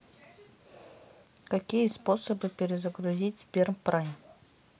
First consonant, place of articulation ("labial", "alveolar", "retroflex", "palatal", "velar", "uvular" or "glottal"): velar